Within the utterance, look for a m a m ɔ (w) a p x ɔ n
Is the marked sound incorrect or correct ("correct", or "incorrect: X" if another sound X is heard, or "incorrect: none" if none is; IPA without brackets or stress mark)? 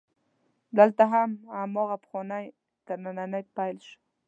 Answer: incorrect: ɣ